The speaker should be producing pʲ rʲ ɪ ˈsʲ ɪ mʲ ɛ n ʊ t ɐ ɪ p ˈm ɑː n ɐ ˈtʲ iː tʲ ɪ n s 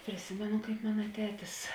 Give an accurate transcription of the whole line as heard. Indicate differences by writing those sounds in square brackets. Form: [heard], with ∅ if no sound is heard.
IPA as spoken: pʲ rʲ ɪ ˈsʲ ɪ mʲ ɛ n ʊ [k] ɐ ɪ p ˈm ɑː n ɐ ˈtʲ [æː] tʲ ɪ [∅] s